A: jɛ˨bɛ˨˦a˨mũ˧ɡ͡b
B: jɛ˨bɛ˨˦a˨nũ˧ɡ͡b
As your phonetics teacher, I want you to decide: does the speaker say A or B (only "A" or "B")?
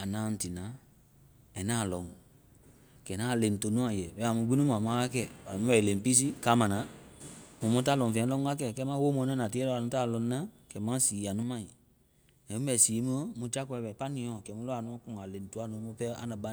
A